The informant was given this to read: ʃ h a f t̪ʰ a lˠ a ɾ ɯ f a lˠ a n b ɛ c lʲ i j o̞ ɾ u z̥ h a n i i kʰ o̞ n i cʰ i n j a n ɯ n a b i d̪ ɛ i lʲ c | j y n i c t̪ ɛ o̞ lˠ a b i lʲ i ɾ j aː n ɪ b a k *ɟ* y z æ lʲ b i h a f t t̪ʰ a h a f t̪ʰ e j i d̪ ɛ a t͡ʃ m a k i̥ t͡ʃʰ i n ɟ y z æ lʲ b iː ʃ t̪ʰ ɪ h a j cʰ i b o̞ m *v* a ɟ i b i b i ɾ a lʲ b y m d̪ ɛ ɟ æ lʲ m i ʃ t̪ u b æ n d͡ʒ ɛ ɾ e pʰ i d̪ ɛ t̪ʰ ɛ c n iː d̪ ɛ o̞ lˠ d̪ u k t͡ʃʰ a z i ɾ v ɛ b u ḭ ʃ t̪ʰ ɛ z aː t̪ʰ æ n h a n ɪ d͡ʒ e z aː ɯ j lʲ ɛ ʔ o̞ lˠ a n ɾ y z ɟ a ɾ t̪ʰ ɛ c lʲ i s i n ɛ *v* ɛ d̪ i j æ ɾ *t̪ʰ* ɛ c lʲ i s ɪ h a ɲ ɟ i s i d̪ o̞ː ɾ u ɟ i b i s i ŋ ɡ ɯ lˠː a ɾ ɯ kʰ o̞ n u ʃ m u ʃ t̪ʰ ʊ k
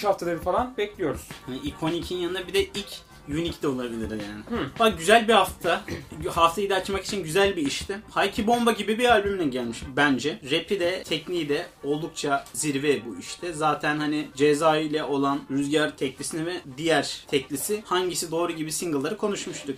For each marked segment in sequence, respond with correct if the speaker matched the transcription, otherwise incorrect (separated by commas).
correct, incorrect, correct, correct